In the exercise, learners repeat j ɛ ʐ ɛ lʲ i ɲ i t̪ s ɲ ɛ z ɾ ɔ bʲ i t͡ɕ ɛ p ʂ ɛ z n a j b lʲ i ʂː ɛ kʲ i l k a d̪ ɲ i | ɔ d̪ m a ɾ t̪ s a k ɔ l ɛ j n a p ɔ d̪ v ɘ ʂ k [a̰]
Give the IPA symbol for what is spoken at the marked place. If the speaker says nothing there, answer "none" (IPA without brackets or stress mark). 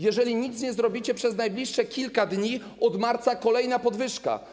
a̰